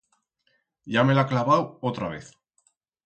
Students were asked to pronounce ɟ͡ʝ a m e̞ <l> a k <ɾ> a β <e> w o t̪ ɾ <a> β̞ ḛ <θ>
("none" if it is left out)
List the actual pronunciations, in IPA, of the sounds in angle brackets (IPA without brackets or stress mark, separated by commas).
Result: l, l, a, a, θ